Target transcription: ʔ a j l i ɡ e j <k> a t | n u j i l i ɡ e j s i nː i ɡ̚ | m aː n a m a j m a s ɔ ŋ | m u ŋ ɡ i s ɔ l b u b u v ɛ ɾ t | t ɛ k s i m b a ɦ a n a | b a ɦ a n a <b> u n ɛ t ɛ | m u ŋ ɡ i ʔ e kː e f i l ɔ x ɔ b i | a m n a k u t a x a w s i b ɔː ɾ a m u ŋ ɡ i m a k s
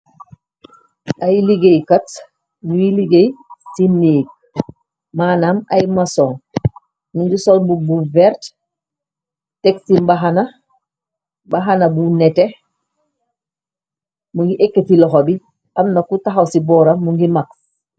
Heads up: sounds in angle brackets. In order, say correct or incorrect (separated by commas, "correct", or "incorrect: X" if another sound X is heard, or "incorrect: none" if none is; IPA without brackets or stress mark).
correct, correct